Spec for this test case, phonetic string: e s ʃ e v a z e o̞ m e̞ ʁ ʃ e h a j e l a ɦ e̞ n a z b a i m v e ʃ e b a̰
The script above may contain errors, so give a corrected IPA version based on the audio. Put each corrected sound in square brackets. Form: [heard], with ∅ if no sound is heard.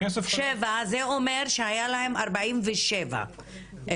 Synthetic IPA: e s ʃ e v a z e o̞ m e̞ ʁ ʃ e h a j [a] l a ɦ e̞ [m] a [ʁ] b a i m v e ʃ e [v] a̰